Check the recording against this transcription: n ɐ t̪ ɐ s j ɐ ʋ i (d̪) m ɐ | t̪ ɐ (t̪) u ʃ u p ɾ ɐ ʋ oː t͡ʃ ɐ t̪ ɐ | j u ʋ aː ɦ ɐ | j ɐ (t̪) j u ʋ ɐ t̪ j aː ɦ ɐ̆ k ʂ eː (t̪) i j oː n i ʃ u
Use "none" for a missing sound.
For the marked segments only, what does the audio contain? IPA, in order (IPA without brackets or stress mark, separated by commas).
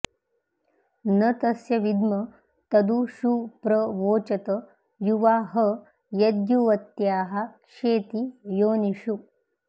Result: d̪, d̪, d̪, t̪